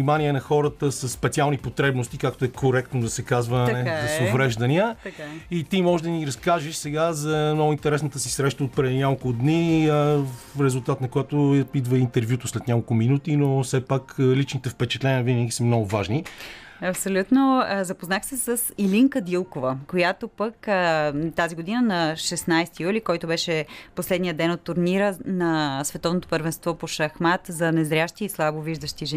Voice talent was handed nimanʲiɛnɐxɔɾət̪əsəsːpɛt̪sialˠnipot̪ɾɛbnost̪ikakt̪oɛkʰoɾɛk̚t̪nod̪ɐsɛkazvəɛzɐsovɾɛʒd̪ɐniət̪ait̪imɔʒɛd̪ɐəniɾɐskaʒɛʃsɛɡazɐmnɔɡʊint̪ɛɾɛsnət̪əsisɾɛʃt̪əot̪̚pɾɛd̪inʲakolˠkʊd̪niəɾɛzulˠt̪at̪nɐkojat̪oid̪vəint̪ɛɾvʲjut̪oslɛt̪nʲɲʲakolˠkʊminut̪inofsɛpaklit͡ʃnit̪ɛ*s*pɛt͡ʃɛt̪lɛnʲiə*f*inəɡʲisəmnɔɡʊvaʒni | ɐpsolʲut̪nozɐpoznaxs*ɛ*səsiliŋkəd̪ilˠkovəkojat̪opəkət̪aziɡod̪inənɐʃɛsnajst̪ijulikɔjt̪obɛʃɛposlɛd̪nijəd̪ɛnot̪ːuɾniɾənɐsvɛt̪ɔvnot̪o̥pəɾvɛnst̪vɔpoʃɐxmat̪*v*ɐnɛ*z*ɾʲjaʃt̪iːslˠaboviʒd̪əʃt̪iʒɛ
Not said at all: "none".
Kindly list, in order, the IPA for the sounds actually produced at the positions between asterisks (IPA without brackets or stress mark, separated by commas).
f, v, ɛ, z, z